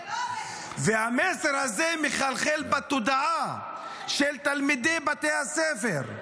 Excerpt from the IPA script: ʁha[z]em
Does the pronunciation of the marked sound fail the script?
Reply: no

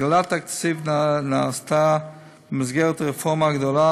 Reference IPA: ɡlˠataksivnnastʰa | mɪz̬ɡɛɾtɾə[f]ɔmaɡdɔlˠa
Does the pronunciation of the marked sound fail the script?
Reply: no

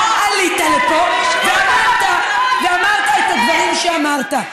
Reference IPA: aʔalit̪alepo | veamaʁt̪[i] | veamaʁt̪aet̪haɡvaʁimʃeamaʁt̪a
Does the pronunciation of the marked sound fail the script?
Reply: yes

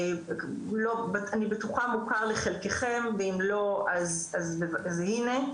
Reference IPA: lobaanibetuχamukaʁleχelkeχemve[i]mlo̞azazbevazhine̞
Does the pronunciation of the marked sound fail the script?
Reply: no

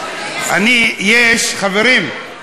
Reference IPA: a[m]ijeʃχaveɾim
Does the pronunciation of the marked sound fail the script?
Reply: yes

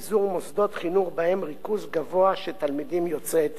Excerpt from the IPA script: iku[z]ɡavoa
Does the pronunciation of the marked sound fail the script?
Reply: no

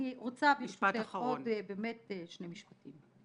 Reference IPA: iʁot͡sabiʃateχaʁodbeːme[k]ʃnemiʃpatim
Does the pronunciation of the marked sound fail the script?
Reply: yes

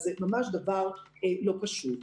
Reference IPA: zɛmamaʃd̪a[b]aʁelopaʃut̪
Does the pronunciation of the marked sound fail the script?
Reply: yes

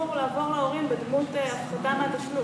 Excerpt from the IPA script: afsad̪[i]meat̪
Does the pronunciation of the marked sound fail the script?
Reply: yes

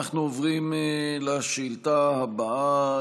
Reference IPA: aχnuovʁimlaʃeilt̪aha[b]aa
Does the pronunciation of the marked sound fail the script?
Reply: no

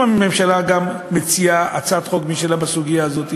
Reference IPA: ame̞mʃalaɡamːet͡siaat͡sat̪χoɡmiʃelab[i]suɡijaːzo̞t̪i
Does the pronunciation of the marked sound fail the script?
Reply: yes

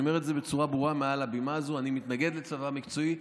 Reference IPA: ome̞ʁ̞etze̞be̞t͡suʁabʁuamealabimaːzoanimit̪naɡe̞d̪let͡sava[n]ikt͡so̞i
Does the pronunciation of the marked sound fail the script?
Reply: yes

